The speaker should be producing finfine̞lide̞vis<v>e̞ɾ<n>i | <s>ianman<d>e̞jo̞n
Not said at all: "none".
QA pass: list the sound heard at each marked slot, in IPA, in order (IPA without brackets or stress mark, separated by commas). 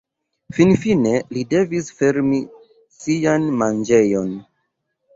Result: f, m, s, d͡ʒ